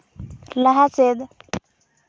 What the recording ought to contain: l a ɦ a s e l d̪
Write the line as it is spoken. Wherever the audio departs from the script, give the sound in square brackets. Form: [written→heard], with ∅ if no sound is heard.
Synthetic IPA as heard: l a ɦ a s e [l→∅] d̪